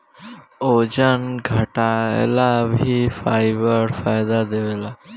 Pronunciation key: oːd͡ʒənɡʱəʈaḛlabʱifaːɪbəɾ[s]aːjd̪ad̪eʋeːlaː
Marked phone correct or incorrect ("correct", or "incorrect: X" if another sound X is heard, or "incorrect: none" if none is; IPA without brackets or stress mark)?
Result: incorrect: f